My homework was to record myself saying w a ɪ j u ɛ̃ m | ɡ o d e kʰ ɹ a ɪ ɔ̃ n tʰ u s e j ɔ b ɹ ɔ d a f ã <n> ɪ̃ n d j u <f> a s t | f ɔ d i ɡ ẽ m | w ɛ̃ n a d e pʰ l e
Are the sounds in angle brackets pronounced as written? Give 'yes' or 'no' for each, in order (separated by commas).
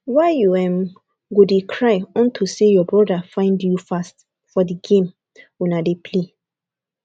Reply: no, yes